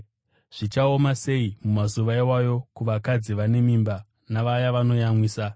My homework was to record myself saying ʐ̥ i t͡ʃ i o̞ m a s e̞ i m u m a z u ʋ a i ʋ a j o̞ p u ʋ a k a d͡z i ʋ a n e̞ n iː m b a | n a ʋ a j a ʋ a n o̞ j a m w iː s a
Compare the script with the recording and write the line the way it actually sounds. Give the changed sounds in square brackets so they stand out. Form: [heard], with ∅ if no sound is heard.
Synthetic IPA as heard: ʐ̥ i t͡ʃ [a] o̞ m a s e̞ i m u m a z u ʋ a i [w] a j o̞ [k] u ʋ a k a d͡z i ʋ a n e̞ [m] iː m b a | n a ʋ a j a ʋ a n o̞ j a m w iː s a